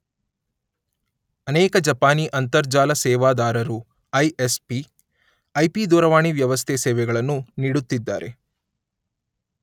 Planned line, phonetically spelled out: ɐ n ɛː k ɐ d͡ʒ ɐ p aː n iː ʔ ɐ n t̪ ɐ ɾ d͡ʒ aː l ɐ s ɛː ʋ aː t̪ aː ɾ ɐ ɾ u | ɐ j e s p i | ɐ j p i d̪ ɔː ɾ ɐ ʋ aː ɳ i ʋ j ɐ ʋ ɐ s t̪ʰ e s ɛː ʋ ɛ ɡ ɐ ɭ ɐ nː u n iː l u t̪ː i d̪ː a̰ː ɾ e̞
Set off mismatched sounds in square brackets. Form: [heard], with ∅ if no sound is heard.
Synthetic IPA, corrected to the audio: ɐ n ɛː k ɐ d͡ʒ ɐ p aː n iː ʔ ɐ n t̪ ɐ ɾ d͡ʒ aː l ɐ s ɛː ʋ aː [d̪] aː ɾ ɐ ɾ u | ɐ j e s p i | ɐ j p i d̪ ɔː ɾ ɐ ʋ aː ɳ i ʋ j ɐ ʋ ɐ s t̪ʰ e s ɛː ʋ ɛ ɡ ɐ ɭ ɐ nː u n iː [ɽ] u t̪ː i d̪ː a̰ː ɾ e̞